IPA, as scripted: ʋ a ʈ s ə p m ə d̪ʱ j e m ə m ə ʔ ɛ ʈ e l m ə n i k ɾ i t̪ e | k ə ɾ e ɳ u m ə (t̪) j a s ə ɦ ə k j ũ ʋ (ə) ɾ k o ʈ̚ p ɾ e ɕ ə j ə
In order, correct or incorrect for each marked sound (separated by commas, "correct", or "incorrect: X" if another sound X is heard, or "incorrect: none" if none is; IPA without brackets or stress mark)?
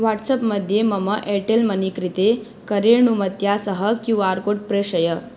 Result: correct, incorrect: a